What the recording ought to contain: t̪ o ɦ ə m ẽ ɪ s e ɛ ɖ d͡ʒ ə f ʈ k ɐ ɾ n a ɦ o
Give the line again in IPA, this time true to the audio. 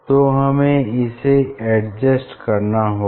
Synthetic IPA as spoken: t̪ o ɦ ɐ m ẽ ɪ s e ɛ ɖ d͡ʒ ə s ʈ k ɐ ɾ n a ɦ o